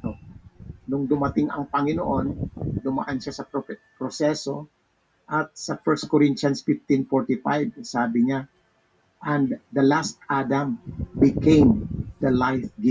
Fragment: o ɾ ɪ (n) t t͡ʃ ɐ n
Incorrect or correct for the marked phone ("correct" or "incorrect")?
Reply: correct